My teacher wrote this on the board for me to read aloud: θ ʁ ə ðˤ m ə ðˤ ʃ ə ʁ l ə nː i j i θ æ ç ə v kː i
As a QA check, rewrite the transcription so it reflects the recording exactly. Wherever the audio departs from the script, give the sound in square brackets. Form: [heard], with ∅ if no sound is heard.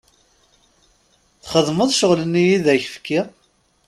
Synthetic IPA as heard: θ [χ] ə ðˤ m ə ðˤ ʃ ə ʁ l ə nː i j i [ð] æ ç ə [f] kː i